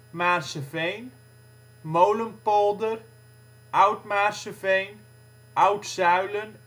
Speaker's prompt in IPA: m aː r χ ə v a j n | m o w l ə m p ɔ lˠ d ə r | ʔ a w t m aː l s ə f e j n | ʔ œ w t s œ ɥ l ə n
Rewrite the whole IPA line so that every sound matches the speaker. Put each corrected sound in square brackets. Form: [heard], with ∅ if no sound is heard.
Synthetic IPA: m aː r [s] ə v [e] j n | m o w l ə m p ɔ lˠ d ə r | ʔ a w t m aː [r] s ə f e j n | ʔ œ w t s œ ɥ l ə n